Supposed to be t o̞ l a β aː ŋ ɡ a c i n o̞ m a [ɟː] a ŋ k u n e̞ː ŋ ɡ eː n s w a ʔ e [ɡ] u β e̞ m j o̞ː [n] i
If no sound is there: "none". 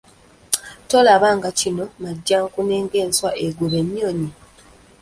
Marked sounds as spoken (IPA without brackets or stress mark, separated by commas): ɟː, ɡ, ɲ